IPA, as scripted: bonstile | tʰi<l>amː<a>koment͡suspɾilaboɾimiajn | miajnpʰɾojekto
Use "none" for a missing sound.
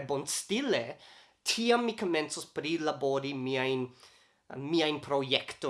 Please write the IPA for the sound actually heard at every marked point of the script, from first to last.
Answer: none, i

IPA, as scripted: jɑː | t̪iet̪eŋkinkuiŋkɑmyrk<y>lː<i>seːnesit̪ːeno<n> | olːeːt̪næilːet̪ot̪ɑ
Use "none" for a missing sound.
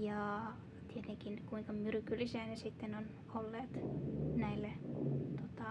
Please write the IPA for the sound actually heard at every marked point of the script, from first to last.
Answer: y, i, n

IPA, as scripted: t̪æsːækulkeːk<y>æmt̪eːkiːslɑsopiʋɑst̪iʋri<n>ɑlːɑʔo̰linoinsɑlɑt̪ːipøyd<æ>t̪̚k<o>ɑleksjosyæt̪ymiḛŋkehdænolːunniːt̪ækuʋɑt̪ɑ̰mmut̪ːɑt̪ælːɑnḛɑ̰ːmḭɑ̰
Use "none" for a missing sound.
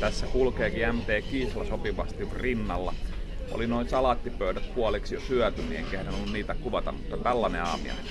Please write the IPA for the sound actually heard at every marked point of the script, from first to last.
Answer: i, nː, æ, u

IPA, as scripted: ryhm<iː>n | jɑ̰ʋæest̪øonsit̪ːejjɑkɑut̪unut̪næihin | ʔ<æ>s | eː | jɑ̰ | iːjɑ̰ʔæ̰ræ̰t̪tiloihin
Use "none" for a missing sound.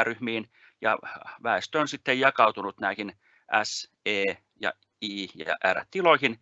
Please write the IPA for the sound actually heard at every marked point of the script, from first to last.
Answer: iː, æ

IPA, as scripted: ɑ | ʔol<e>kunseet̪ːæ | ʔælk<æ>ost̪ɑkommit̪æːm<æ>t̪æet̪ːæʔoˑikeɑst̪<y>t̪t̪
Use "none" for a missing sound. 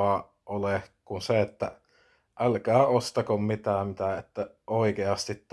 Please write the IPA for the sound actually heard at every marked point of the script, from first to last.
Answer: e, æː, i, i

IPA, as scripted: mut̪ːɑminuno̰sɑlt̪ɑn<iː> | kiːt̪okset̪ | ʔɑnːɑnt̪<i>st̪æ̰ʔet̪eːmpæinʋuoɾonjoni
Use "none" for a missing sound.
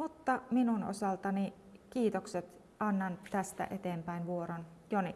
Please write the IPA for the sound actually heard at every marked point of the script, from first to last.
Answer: i, æ

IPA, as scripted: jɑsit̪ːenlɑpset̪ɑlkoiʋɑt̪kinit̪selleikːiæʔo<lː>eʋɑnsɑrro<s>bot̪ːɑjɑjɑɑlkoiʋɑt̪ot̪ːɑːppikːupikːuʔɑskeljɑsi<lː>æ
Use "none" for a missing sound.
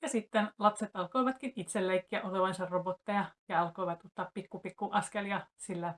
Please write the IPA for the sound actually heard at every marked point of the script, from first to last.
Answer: l, none, lː

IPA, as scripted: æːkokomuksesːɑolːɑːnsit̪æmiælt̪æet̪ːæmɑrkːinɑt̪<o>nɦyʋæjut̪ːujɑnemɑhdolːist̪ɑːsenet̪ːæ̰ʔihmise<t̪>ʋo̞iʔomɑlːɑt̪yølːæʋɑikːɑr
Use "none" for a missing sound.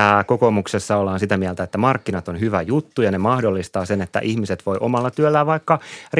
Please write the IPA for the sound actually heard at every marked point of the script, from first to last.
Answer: o, t̪

